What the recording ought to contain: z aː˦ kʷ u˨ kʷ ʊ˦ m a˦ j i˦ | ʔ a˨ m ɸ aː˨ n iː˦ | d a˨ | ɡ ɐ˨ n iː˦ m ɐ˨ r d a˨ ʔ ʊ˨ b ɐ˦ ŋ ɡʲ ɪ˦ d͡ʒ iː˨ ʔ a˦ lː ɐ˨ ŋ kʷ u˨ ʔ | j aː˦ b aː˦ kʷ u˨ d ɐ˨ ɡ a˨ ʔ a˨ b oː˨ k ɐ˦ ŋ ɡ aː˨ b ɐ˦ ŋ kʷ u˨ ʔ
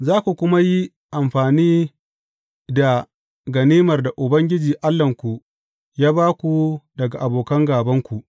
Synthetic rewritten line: z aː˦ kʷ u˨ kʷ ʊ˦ m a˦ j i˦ | ʔ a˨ m ɸ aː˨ n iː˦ | d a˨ | ɡ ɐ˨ n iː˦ m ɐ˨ r d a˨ ʔ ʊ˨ b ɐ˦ ŋ ɡʲ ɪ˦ d͡ʒ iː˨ ʔ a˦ lː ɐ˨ ŋ kʷ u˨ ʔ | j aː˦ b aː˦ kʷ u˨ d ɐ˨ ɡ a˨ ʔ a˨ b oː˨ k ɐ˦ ŋ ɡ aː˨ b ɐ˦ ŋ kʷ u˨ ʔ

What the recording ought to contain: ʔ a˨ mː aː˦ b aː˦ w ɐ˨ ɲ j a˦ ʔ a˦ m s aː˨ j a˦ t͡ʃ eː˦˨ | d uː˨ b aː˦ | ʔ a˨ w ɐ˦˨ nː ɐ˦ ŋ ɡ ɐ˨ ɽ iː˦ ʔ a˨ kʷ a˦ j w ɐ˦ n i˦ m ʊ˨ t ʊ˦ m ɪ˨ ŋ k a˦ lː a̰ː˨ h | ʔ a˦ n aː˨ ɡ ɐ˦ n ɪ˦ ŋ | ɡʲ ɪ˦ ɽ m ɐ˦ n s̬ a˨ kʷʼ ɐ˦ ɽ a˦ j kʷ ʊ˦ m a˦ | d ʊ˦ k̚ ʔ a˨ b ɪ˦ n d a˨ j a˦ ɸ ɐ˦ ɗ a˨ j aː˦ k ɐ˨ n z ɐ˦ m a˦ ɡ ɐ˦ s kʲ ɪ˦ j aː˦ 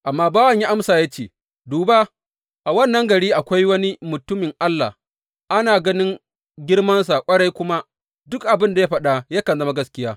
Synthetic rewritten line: ʔ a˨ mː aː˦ b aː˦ w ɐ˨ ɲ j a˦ ʔ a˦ m s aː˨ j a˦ t͡ʃ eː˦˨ | d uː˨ b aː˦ | ʔ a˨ w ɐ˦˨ nː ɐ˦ ŋ ɡ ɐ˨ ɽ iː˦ ʔ a˨ kʷ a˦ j w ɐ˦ n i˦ m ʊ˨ t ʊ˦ m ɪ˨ ŋ ʔ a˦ lː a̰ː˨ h | ʔ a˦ n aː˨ ɡ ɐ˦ n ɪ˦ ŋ | ɡʲ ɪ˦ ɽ m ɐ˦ n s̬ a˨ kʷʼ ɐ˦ ɽ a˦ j kʷ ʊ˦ m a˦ | d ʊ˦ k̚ ʔ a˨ b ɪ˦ n d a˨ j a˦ ɸ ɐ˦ ɗ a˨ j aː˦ k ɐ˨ n z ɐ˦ m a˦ ɡ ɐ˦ s kʲ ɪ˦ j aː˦

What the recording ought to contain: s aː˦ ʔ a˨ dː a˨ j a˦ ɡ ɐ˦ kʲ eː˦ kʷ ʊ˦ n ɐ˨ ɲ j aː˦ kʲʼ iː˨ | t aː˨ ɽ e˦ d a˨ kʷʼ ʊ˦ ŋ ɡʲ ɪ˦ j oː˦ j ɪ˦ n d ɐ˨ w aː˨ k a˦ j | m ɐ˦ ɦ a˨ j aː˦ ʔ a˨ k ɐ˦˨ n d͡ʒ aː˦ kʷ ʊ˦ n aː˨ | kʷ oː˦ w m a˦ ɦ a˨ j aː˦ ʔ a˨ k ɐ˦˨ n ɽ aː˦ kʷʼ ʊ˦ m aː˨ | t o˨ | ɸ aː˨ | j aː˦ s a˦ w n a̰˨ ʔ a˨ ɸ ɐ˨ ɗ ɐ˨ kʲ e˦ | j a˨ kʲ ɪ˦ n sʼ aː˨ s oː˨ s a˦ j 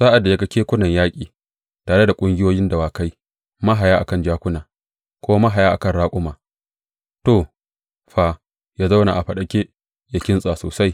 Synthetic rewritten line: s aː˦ ʔ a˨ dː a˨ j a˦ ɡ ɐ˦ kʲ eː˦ kʷ ʊ˦ n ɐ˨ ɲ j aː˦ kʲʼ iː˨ | t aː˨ ɽ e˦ d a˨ kʷʼ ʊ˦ ŋ ɡʲ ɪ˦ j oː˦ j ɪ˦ n d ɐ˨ w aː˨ k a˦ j | m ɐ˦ ɦ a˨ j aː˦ ʔ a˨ k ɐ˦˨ n d͡ʒ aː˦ kʷ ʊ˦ n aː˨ | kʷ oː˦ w m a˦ ɦ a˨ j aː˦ ʔ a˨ k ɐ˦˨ n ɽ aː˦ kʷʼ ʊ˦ m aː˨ | t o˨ | ɸ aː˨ | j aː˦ z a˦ w n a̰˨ ʔ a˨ ɸ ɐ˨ ɗ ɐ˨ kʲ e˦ | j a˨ kʲ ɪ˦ n sʼ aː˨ s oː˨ s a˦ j

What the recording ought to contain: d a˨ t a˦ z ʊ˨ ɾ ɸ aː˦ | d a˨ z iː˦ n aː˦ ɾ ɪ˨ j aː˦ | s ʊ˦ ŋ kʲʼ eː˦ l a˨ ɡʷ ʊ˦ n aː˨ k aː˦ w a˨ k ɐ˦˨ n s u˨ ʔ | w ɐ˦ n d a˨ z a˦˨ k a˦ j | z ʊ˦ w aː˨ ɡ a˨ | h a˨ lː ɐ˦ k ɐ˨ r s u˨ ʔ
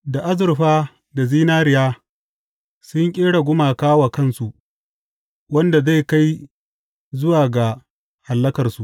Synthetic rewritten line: d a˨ ʔ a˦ z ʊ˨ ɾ ɸ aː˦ | d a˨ z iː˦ n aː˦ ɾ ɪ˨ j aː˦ | s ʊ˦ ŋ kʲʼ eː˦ ɽ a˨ ɡʷ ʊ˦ m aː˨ k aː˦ w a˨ k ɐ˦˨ n s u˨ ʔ | w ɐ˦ n d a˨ z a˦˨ k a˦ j | z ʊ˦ w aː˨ ɡ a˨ | h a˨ lː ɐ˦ k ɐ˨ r s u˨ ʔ

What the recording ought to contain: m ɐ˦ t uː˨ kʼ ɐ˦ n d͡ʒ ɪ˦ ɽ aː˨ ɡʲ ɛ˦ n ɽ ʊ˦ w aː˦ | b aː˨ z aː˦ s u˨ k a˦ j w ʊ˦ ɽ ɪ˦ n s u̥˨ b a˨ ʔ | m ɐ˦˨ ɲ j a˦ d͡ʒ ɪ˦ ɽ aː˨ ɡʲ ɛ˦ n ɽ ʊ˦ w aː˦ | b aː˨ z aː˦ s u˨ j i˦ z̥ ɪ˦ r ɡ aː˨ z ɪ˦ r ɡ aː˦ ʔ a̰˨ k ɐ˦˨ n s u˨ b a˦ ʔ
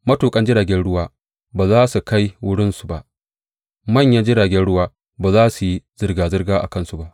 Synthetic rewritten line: m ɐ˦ t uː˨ kʼ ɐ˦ n d͡ʒ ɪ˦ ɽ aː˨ ɡʲ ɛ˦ n ɽ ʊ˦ w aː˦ | b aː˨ z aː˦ s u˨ k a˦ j w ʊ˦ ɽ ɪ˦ n s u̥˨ b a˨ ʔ | m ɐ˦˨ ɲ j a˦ d͡ʒ ɪ˦ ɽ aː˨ ɡʲ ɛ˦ n ɽ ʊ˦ w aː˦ | b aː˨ z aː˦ s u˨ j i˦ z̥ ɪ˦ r ɡ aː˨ z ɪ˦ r ɡ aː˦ ʔ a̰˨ k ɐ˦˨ n s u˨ b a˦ ʔ

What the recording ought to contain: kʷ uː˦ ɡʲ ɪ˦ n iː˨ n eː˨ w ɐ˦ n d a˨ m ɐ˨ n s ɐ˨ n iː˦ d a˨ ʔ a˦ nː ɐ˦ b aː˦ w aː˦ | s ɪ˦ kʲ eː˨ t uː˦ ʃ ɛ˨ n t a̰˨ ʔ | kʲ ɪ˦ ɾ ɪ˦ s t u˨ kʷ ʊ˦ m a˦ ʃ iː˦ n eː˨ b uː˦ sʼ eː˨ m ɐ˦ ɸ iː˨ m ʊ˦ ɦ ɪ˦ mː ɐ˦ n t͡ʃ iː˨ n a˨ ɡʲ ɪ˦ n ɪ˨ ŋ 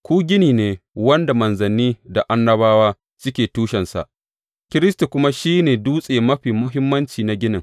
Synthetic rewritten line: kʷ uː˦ ɡʲ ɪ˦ n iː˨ n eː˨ w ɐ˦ n d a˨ m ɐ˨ n z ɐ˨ n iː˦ d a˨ ʔ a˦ nː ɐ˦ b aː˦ w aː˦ | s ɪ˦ kʲ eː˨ t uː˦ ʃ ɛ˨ n s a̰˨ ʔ | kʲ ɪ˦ ɾ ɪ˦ s t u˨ kʷ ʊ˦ m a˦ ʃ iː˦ n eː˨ d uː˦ sʼ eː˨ m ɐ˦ ɸ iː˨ m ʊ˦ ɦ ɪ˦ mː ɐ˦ n t͡ʃ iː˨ n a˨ ɡʲ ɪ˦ n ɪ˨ ŋ

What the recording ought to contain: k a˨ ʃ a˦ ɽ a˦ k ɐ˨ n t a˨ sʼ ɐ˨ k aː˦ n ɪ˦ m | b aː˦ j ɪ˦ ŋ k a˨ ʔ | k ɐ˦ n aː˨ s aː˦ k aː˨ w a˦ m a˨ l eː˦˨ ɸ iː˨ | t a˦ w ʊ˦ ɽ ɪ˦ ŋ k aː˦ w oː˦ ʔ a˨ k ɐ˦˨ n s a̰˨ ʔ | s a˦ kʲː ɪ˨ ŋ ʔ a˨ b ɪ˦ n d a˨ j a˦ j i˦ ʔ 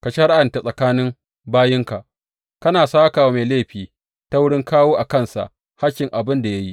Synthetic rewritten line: k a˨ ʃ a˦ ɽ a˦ ʔ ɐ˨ n t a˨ sʼ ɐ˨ k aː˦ n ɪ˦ m | b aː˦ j ɪ˦ ŋ k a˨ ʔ | k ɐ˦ n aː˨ s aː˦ k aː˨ w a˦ m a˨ l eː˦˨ ɸ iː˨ | t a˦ w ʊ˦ ɽ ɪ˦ ŋ k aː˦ w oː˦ ʔ a˨ k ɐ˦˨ n s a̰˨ ʔ | h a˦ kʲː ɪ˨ ŋ ʔ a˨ b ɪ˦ n d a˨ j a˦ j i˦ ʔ

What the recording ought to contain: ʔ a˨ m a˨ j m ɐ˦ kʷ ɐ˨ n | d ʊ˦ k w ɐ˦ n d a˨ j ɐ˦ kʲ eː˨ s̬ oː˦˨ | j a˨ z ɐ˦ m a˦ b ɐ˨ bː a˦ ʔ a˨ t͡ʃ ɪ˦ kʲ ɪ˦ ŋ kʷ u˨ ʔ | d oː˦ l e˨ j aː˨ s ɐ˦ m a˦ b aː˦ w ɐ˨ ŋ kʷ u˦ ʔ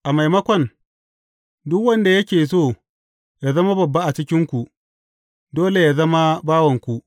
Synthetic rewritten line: ʔ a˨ m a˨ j m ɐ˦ kʷ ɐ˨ n | d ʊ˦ k w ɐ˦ n d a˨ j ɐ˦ kʲ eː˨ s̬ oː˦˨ | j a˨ z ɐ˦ m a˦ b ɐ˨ bː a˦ ʔ a˨ t͡ʃ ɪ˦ kʲ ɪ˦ ŋ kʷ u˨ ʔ | d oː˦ l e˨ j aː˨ z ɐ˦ m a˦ b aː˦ w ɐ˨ ŋ kʷ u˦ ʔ

